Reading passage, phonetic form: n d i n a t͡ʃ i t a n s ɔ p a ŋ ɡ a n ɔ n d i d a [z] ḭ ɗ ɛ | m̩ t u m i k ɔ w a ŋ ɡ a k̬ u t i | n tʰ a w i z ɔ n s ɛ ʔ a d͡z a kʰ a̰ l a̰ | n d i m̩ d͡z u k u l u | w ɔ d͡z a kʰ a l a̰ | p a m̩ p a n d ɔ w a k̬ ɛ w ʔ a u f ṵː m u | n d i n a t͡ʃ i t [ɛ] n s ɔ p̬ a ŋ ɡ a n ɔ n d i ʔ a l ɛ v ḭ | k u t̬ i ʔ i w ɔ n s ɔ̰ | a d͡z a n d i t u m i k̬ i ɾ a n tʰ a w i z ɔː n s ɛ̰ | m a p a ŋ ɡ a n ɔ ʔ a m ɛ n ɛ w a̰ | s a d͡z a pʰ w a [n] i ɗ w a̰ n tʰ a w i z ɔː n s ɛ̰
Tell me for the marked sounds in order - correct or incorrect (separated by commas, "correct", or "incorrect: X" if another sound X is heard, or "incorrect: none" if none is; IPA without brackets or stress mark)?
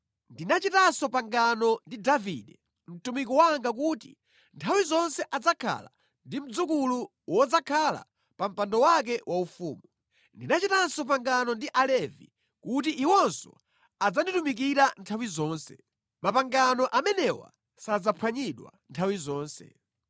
incorrect: v, incorrect: a, incorrect: ɲ